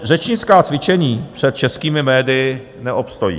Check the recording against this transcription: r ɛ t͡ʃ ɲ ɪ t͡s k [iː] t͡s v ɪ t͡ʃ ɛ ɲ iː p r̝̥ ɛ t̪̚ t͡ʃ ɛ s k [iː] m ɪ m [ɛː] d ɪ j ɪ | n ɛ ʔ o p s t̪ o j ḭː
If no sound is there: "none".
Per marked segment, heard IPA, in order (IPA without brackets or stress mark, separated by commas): aː, iː, ɛː